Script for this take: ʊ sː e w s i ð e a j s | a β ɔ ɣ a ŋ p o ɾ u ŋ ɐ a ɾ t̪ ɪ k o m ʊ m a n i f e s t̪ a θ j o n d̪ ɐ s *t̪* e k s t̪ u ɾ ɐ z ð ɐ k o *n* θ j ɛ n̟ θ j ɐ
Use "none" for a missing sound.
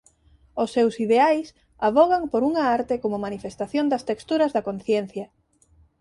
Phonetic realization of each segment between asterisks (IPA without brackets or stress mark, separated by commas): t̪, n